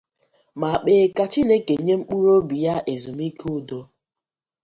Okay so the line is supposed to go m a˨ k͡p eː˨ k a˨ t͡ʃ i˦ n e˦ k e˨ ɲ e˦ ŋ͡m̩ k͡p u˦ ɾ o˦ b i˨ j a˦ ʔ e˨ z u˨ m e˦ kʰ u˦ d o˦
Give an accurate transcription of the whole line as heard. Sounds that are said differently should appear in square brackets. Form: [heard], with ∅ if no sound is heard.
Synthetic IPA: m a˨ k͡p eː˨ k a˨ t͡ʃ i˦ n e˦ k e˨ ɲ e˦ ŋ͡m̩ k͡p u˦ ɾ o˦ b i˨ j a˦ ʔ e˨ z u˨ m [i˦] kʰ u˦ d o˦